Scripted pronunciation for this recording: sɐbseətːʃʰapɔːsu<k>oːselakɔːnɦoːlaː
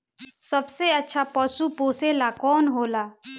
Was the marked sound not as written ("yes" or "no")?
yes